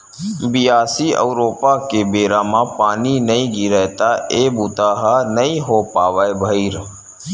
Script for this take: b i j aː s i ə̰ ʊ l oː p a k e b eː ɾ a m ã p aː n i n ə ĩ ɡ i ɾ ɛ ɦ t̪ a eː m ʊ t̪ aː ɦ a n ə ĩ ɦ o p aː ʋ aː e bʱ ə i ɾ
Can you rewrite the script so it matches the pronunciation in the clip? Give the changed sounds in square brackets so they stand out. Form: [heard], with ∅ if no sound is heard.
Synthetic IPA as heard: b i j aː s i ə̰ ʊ [ɾ] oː p a k e b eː ɾ a m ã p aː n i n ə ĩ ɡ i ɾ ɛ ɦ t̪ a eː [b] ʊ t̪ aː ɦ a n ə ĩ ɦ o p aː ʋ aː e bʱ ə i ɾ